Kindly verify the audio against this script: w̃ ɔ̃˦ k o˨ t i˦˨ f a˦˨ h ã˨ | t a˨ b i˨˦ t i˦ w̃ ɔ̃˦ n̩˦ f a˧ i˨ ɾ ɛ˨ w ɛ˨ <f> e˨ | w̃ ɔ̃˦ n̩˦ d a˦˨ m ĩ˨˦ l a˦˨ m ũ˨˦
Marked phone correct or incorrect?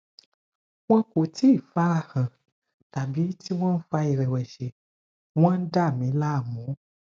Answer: incorrect